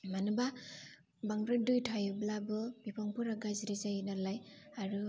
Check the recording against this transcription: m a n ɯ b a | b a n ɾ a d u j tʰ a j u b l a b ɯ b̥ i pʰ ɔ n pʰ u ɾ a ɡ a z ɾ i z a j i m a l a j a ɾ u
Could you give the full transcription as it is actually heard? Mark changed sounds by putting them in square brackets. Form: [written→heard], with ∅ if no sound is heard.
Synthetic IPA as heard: m a n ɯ b a | b a [n→ŋ] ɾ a d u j tʰ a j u b l a b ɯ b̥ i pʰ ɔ [n→ŋ] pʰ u ɾ a ɡ a z ɾ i z a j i [m→n] a l a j a ɾ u